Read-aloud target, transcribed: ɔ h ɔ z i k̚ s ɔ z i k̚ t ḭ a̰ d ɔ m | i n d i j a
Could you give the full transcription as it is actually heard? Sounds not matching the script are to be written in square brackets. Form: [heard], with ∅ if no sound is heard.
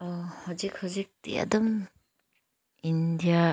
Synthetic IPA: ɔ h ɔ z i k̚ [h] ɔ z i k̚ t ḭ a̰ d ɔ m | i n d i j a